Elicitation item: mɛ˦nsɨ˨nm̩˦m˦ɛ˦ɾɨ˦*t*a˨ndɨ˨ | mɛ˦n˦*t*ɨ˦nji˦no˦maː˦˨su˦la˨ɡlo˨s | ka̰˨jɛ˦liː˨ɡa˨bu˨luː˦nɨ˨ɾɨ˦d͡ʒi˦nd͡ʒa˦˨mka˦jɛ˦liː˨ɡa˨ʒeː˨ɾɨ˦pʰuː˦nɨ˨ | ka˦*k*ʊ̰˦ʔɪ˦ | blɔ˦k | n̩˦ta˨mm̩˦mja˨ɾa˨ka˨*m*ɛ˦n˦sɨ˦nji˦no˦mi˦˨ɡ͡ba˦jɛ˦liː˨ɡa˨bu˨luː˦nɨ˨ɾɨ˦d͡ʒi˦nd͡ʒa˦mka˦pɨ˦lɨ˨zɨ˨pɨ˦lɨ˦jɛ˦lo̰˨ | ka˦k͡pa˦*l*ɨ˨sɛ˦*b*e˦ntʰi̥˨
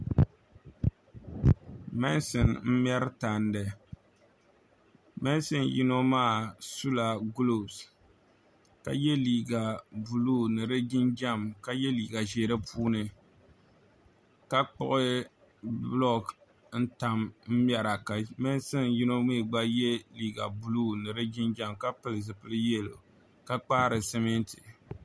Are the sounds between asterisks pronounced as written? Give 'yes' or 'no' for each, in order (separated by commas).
yes, no, no, yes, no, no